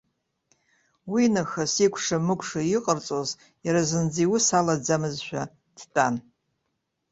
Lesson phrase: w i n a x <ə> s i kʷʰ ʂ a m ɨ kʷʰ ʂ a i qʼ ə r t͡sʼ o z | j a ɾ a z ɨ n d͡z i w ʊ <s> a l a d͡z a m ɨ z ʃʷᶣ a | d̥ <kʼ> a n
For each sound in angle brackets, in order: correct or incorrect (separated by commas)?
incorrect, correct, incorrect